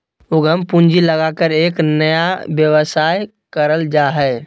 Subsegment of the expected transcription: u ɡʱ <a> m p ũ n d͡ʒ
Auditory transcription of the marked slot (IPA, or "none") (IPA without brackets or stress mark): ə